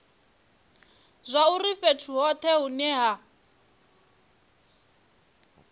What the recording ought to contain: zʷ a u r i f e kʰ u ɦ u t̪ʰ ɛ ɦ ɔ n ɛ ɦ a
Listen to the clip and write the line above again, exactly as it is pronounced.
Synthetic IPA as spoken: zʷ a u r i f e tʰ u ɦ ɔ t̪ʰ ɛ ɦ u n ɛ ɦ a